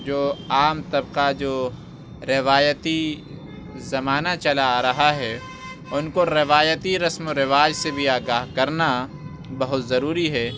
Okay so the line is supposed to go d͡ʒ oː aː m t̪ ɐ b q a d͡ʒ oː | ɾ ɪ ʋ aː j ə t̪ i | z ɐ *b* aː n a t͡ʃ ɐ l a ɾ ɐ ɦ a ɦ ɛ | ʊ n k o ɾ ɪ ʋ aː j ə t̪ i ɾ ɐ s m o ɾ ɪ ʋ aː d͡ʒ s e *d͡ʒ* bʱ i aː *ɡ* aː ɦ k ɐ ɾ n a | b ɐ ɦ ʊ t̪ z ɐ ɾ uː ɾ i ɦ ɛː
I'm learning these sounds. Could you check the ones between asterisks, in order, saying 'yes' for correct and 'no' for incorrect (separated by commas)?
no, no, yes